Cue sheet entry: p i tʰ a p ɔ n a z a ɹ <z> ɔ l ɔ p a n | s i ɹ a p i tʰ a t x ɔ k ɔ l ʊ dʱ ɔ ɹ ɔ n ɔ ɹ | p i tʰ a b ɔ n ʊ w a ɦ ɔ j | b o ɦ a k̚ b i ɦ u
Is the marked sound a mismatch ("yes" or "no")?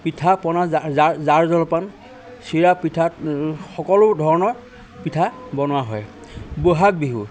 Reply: no